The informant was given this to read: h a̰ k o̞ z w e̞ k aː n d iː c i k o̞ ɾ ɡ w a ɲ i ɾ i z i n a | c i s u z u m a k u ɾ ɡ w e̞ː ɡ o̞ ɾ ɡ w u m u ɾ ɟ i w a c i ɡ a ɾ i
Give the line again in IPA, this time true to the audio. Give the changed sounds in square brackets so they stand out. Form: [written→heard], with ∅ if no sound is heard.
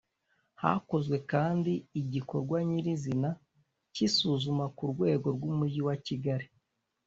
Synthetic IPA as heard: h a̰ k o̞ z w e̞ k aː n d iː [c→ɟ] i k o̞ ɾ ɡ w a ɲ i ɾ i z i n a | c i s u z u m a k u ɾ ɡ w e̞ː ɡ o̞ ɾ ɡ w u m u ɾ ɟ i w a c i ɡ a ɾ i